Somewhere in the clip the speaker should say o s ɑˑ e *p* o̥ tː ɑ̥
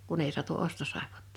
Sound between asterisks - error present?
no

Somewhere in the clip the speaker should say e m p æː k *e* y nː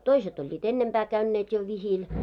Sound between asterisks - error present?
yes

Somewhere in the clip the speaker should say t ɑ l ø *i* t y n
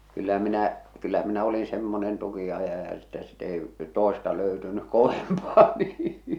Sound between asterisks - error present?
yes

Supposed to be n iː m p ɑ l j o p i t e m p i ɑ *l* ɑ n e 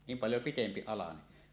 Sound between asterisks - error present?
no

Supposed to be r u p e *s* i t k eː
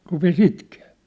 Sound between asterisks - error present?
no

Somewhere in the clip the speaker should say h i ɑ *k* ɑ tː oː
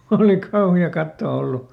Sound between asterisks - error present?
no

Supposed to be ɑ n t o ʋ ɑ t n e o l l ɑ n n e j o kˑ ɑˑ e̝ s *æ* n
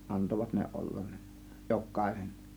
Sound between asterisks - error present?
yes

